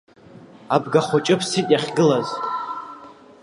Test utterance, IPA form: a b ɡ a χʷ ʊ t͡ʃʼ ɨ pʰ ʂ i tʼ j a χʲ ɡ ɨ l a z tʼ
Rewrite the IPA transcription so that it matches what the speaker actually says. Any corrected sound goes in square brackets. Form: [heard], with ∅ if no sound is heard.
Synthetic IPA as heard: a b ɡ a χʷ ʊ t͡ʃʼ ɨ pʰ [s] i tʼ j a χʲ ɡ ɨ l a z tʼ

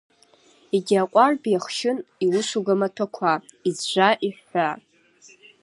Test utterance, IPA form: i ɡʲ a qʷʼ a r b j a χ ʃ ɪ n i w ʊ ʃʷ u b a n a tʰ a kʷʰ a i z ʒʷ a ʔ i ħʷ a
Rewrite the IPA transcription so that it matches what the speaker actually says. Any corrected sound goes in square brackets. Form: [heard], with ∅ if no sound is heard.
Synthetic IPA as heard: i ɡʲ a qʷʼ a r b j a χ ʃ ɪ n i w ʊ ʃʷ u [ɡ] a [m] a tʰ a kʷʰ a i z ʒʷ a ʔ i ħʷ a

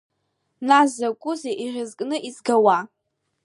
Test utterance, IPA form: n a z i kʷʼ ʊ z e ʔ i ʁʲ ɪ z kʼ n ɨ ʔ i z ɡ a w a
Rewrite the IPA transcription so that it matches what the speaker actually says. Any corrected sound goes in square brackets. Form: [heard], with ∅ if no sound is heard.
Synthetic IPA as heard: n a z [a] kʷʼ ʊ z e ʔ i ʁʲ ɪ z kʼ n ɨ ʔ i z ɡ a w a

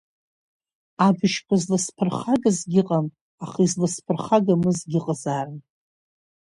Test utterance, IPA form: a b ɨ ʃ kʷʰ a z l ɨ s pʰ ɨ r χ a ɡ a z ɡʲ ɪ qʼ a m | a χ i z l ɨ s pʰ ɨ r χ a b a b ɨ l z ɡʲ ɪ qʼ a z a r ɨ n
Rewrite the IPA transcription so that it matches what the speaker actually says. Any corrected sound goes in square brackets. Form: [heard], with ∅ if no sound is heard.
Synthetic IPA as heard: a b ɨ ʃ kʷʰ a z l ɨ s pʰ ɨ r χ a ɡ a z ɡʲ ɪ qʼ a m | a χ i z l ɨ s pʰ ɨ r χ a [ɡ] a [m] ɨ [∅] z ɡʲ ɪ qʼ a z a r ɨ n

